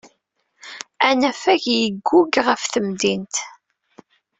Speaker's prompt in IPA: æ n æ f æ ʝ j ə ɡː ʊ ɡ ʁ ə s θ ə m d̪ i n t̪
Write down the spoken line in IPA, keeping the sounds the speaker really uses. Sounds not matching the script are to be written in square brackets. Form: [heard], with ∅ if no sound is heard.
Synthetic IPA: æ n æ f æ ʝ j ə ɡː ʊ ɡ ʁ ə [f] θ ə m d̪ i n t̪